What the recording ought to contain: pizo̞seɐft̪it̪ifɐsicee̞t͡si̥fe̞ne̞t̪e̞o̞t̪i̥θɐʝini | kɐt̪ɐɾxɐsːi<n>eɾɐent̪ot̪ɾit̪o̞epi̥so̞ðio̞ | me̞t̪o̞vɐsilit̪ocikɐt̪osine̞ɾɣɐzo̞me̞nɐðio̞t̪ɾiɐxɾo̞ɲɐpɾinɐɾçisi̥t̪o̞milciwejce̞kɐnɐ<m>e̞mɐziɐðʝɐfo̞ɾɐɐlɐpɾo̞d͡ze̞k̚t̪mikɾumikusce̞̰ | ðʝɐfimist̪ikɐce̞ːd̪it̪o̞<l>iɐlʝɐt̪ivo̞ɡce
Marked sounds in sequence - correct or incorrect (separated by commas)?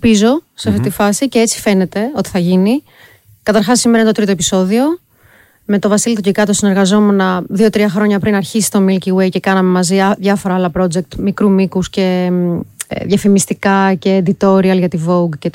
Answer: incorrect, correct, incorrect